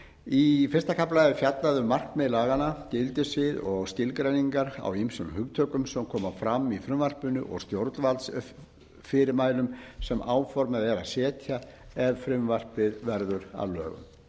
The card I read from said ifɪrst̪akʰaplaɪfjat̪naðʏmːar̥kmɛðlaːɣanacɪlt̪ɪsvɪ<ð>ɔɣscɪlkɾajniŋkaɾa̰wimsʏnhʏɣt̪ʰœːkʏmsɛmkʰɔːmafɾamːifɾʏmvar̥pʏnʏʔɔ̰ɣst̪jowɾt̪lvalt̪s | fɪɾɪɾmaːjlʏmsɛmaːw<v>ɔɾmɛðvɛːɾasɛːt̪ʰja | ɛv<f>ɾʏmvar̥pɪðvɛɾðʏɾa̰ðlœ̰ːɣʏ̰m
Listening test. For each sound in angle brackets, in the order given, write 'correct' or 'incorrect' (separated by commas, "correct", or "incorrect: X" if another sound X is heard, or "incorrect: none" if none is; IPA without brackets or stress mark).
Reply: correct, incorrect: f, correct